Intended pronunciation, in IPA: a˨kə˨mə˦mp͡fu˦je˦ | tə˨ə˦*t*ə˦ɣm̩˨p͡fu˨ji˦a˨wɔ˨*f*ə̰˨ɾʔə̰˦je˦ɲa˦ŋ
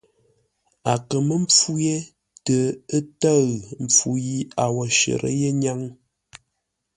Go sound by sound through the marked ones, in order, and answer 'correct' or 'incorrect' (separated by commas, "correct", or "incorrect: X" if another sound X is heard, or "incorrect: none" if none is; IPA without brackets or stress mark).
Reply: correct, incorrect: ʃ